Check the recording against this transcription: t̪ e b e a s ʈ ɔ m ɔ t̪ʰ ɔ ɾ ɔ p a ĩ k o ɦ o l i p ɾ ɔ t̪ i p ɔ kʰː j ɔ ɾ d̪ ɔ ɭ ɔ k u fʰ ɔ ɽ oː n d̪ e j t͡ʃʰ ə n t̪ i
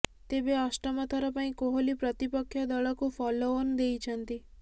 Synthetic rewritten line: t̪ e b e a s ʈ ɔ m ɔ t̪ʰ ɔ ɾ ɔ p a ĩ k o ɦ o l i p ɾ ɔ t̪ i p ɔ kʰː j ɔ d̪ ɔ ɭ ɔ k u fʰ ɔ l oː n d̪ e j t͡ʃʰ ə n t̪ i